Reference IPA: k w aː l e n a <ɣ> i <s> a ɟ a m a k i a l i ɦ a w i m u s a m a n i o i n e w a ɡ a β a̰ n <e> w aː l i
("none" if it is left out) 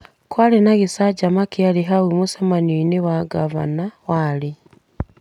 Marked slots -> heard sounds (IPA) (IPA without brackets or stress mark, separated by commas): ɣ, s, a